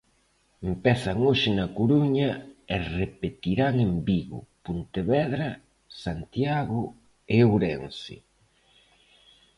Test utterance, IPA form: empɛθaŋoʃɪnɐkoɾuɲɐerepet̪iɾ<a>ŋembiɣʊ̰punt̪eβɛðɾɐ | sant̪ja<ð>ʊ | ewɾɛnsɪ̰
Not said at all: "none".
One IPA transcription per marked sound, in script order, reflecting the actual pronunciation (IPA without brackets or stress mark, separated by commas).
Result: a, ɣ